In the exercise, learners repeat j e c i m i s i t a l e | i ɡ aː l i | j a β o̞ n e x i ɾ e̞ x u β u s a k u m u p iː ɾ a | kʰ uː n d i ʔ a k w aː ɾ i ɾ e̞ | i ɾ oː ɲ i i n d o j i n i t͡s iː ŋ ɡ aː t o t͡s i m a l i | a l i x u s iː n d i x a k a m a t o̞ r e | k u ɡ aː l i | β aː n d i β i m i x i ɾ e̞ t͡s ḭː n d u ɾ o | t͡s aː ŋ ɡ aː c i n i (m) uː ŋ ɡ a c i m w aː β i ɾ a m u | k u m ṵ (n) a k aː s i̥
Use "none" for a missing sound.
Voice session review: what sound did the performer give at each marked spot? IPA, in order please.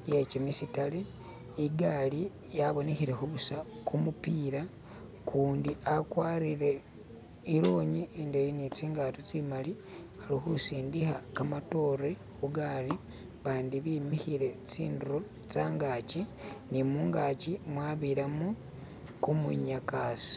m, ɲ

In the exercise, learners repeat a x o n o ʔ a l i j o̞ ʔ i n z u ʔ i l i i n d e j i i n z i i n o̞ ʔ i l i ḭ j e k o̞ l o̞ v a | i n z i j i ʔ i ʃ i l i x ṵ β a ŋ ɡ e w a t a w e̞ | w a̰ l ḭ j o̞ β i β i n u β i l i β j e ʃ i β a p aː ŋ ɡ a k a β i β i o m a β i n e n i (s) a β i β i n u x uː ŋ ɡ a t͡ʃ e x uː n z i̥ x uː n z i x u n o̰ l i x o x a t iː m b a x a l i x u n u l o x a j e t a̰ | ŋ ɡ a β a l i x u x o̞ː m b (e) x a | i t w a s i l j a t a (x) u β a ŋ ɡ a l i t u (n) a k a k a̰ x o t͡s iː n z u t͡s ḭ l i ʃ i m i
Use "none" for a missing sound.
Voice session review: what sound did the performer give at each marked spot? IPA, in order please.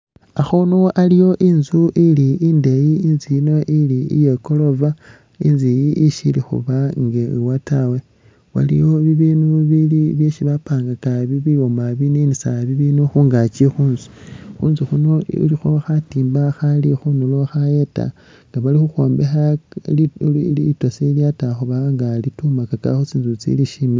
s, e, x, m

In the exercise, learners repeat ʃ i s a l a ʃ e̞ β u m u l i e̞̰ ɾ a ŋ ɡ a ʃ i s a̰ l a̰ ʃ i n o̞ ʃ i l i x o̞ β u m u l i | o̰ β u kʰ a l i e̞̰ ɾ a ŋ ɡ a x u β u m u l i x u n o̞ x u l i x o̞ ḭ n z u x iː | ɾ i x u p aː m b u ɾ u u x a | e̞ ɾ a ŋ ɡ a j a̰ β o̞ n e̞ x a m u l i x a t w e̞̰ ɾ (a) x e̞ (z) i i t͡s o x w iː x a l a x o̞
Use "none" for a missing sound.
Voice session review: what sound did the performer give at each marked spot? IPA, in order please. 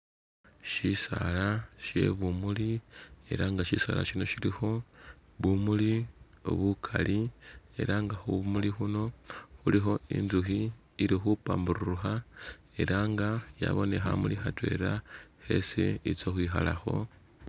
a, s

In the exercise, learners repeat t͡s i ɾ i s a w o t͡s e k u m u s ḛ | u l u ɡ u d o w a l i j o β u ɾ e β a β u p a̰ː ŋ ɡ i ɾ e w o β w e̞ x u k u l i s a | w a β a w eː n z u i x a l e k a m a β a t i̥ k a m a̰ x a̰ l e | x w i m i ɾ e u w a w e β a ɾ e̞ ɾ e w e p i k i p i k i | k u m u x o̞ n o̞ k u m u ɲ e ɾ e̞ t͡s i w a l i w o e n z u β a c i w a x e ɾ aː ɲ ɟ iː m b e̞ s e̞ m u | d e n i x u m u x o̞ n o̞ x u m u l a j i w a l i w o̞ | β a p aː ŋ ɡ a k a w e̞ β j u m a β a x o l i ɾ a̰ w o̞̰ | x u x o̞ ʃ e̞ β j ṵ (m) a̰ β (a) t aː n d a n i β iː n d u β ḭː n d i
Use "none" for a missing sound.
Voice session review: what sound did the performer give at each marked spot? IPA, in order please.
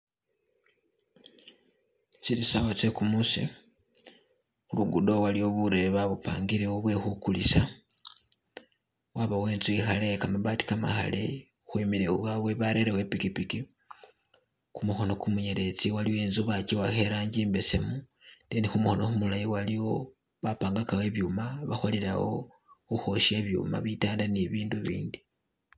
m, i

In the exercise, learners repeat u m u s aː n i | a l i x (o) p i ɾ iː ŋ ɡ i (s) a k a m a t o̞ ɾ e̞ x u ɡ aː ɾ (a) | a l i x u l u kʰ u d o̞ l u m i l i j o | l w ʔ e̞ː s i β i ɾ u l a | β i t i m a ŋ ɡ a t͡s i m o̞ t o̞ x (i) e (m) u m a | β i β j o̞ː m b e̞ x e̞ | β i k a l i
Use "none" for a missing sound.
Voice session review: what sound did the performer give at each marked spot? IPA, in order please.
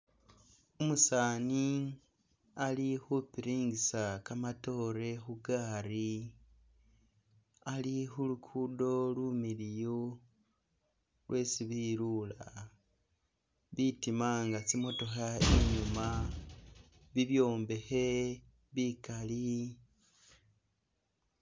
u, s, i, a, ɲ

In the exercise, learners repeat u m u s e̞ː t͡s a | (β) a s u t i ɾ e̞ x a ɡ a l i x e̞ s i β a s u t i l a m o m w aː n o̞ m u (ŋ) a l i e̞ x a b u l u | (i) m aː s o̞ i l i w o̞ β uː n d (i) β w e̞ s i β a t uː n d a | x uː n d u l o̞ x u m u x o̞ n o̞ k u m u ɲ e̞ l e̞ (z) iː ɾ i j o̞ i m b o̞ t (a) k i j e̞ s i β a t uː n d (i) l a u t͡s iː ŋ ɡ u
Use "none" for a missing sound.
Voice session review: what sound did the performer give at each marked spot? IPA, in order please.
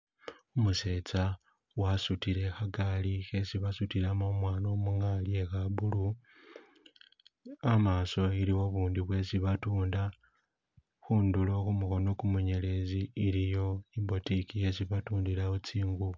w, ŋ, a, i, z, i, i

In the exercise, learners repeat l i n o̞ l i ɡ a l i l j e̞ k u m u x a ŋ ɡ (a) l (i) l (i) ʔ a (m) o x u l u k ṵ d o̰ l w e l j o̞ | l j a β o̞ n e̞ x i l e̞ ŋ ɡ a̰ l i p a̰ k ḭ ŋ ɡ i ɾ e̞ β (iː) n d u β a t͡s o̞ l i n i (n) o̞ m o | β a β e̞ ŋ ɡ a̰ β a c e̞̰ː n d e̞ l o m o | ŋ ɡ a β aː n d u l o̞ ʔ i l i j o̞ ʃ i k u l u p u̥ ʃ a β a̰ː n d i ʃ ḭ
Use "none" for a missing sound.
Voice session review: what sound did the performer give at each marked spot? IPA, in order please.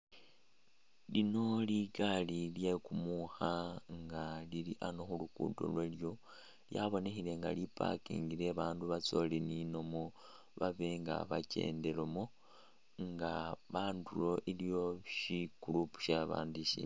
a, i, i, n, aː, n

